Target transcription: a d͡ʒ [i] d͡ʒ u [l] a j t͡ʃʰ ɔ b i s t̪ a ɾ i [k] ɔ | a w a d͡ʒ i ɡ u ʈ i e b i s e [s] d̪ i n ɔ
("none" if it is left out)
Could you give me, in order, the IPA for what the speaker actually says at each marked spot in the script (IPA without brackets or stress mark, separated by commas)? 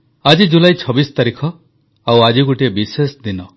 i, l, kʰ, s